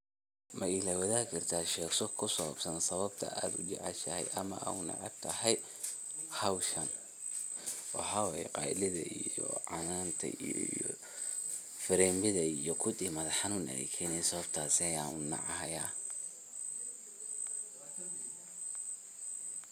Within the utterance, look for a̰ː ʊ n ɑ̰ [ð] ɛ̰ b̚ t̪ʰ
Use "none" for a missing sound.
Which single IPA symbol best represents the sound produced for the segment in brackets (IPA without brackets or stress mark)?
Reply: ʕ